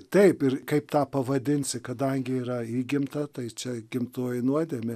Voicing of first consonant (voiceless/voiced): voiceless